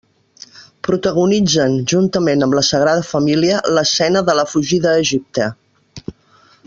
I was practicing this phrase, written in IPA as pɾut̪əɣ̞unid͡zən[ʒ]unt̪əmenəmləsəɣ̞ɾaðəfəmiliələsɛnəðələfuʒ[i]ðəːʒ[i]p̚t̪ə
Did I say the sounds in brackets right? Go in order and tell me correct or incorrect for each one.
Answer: correct, correct, correct

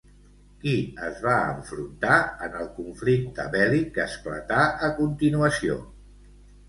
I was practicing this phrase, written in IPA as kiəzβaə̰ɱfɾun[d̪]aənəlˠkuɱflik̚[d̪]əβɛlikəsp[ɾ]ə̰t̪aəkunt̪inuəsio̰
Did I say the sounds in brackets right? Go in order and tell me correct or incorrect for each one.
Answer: incorrect, incorrect, incorrect

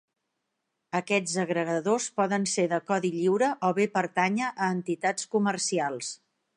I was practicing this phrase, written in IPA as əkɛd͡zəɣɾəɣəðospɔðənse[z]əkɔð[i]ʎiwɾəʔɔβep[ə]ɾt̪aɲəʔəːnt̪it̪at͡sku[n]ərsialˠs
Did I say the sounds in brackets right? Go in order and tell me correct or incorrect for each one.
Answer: incorrect, correct, correct, incorrect

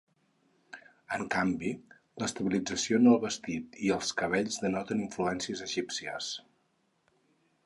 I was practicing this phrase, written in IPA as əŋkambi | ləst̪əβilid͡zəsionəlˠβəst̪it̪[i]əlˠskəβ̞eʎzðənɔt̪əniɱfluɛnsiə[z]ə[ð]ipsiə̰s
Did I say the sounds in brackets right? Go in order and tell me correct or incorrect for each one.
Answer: correct, correct, incorrect

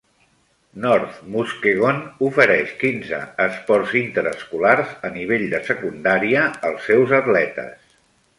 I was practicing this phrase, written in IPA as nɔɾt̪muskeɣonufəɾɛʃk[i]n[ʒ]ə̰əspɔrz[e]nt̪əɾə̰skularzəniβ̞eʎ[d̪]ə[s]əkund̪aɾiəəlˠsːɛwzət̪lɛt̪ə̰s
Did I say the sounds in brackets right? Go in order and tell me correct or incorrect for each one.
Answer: correct, incorrect, incorrect, correct, correct

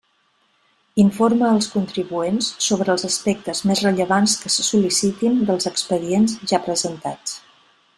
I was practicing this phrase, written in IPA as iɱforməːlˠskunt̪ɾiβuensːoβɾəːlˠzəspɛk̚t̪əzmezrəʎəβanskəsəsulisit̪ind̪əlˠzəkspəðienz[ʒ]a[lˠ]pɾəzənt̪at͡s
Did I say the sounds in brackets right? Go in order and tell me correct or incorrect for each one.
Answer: correct, incorrect

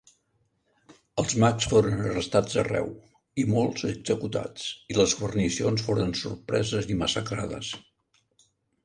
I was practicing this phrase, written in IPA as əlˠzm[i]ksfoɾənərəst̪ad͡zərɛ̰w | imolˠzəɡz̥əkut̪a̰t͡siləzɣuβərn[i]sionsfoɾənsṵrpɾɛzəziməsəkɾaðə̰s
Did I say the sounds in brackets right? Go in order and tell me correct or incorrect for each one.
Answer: incorrect, correct

